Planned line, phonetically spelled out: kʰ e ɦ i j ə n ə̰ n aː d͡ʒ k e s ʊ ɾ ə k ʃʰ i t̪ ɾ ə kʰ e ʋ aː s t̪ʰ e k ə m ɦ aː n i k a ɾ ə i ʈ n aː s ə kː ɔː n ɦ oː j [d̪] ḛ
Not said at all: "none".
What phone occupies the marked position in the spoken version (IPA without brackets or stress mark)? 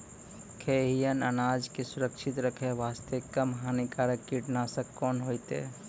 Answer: t̪